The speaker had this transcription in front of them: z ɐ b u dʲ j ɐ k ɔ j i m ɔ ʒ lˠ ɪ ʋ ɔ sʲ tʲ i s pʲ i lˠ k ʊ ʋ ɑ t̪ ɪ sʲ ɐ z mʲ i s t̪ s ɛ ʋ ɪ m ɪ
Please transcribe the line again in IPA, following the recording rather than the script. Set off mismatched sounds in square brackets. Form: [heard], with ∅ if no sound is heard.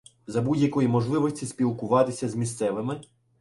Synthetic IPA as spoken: z ɐ b u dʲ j ɐ k ɔ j i m ɔ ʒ lˠ ɪ ʋ ɔ sʲ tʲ i s pʲ i lˠ k ʊ ʋ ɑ t̪ ɪ sʲ ɐ z mʲ i s t̪ s ɛ ʋ ɪ m ɪ